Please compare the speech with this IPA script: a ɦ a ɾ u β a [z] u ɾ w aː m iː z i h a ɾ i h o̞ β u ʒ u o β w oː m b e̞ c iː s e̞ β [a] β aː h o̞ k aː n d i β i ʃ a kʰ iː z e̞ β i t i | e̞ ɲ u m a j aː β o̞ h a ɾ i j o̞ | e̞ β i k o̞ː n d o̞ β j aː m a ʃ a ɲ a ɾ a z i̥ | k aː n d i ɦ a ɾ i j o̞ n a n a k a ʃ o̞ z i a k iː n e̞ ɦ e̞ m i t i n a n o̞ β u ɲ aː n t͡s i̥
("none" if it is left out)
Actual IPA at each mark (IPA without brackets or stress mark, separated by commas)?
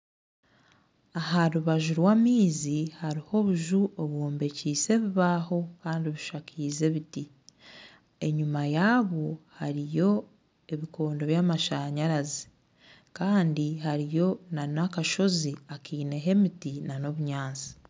ʒ, i